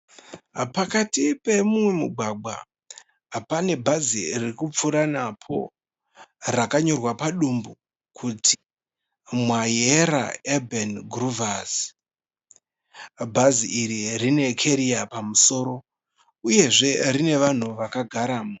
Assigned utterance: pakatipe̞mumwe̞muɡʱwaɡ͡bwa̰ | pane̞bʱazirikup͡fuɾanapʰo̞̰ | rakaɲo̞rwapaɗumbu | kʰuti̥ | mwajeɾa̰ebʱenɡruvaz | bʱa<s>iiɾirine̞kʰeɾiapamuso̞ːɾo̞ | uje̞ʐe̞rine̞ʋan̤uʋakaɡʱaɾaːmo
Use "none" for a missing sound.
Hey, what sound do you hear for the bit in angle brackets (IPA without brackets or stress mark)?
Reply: z